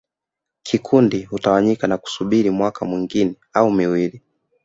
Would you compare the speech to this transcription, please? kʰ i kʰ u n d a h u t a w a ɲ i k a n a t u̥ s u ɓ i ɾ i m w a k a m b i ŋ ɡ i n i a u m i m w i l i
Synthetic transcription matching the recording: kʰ i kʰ u n d i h u t a w a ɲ i k a n a k u̥ s u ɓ i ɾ i m w a k a m w i ŋ ɡ i n ɛ a u m i w i l i